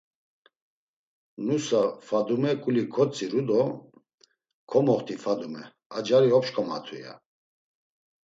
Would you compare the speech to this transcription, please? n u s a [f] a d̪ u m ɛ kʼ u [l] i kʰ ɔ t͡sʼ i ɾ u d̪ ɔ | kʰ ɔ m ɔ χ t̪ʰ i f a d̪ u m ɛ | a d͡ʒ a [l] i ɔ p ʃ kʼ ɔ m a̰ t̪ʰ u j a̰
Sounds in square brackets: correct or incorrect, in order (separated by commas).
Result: correct, correct, incorrect